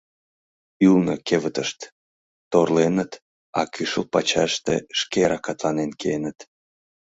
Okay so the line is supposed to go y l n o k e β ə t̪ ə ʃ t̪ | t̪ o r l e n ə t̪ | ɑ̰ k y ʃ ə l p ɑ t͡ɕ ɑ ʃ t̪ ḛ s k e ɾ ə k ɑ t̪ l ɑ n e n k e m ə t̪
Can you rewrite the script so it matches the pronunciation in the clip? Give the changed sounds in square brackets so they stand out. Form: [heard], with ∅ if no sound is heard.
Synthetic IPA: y l n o k e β ə t̪ ə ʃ t̪ | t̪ o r l e n ə t̪ | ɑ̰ k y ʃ ə l p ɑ t͡ɕ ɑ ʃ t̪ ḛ [ʃ] k e ɾ [ɑ] k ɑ t̪ l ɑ n e n k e [n] ə t̪